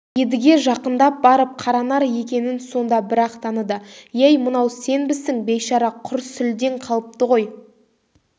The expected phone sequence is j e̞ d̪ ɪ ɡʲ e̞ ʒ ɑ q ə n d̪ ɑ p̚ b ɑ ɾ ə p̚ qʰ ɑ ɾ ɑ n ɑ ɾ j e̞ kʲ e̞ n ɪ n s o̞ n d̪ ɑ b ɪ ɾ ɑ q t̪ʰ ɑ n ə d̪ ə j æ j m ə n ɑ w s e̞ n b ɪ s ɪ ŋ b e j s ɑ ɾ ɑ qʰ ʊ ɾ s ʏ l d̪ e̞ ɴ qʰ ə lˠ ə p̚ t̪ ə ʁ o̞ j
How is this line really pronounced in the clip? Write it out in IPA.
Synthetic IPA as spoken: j e̞ d̪ ɪ ɡʲ e̞ ʒ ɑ q ə n d̪ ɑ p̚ b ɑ ɾ ə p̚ qʰ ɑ ɾ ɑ n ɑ ɾ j e̞ kʲ e̞ n ɪ n s o̞ n d̪ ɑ b ɪ ɾ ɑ q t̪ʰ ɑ n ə d̪ ə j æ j m ə n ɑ w s e̞ n b ɪ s ɪ ŋ b e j ʃ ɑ ɾ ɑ qʰ ʊ ɾ s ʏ l d̪ e̞ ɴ qʰ ɑ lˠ ə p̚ t̪ ə ʁ o̞ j